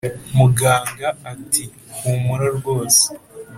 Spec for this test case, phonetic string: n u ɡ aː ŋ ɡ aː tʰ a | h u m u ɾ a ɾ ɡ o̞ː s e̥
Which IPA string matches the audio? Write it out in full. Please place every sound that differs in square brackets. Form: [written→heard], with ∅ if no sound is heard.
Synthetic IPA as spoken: [n→m] u ɡ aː ŋ ɡ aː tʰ [a→i] | h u m u ɾ a ɾ ɡ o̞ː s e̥